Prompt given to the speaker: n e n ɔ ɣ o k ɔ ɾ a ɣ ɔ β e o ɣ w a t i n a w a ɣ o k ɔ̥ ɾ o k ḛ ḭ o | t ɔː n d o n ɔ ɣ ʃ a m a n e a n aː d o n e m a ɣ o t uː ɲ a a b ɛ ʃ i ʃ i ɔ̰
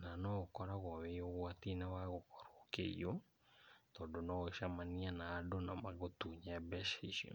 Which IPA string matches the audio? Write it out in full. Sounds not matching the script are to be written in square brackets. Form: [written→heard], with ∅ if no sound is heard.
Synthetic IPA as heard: n [e→a] n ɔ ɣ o k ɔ ɾ a ɣ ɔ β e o ɣ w a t i n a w a ɣ o k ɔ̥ ɾ o k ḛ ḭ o | t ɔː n d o n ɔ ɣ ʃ a m a n [e→i] a n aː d o n [e→a] m a ɣ o t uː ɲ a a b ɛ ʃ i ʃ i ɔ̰